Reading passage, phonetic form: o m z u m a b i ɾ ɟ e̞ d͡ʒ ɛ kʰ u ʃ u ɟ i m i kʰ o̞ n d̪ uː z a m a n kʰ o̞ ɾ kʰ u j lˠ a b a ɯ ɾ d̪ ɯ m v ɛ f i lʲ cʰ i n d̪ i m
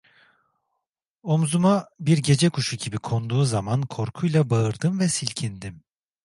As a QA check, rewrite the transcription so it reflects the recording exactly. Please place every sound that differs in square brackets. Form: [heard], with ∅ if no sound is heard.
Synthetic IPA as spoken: o m z u m a b i ɾ ɟ e̞ d͡ʒ ɛ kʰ u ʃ u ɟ i [b] i kʰ o̞ n d̪ uː z a m a n kʰ o̞ ɾ kʰ u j lˠ a b a ɯ ɾ d̪ ɯ m v ɛ [s] i lʲ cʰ i n d̪ i m